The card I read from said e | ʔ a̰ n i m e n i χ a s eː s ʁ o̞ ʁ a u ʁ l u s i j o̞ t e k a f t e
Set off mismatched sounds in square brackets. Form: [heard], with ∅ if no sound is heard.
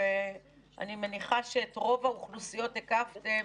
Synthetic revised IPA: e | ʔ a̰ n i m e n i χ a [ʃ] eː [t] ʁ o̞ [v] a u [χ] l u s i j o̞ t e k a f t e